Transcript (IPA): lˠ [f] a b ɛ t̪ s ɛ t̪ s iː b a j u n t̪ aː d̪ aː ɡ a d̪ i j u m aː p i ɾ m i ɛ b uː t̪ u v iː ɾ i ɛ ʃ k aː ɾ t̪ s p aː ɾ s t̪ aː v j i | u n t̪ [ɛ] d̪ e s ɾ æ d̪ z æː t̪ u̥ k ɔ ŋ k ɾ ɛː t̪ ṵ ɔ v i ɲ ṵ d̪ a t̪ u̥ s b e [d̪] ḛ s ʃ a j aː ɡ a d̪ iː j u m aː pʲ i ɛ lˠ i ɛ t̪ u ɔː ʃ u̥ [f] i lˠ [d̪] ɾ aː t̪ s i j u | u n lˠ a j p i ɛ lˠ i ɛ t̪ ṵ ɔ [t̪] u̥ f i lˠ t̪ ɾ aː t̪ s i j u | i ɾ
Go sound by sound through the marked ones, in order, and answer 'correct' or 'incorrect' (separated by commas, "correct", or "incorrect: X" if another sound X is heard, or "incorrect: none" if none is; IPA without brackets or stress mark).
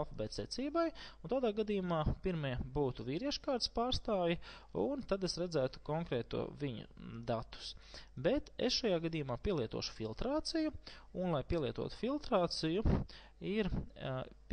correct, incorrect: a, incorrect: t̪, correct, incorrect: t̪, correct